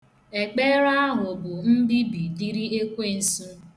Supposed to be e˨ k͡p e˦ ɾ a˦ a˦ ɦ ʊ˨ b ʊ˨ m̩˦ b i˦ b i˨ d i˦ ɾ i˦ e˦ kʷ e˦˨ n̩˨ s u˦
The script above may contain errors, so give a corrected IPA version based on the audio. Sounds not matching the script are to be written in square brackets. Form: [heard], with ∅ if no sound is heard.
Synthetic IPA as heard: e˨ k͡p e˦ ɾ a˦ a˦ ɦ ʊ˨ b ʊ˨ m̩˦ b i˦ b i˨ d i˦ ɾ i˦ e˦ kʷ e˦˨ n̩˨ s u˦